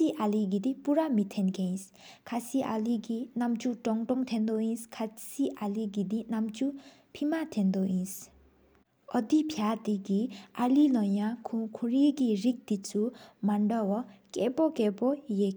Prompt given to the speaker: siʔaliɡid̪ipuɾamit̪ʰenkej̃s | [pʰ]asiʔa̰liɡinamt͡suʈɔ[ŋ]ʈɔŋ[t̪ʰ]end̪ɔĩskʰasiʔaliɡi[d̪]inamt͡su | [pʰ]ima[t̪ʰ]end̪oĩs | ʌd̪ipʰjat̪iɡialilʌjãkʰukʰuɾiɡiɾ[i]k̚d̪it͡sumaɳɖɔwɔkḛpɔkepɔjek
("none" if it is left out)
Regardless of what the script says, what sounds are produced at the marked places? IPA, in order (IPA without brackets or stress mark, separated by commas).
kʰ, ŋ, t̪ʰ, d̪, pʰ, t̪ʰ, i